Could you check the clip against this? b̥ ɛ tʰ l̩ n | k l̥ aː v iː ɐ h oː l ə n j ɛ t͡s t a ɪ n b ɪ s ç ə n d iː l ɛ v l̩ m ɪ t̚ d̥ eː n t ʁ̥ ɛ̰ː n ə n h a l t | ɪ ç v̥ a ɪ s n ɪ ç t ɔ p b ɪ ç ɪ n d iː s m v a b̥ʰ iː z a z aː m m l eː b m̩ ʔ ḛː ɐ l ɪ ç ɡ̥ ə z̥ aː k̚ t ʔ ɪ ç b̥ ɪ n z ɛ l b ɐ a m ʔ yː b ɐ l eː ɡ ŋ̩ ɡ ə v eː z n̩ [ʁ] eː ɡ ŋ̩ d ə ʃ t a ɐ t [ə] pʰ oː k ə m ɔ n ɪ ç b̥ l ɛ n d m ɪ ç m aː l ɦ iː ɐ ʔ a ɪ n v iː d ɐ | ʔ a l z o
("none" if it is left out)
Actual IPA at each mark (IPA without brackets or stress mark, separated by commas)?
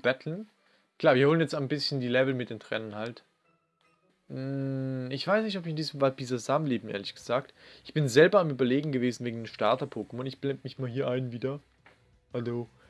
v, ɐ